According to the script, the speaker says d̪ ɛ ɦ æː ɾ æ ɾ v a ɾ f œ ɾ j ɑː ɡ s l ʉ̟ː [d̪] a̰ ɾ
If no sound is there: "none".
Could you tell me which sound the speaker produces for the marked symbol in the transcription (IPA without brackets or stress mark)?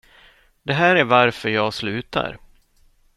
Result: t̪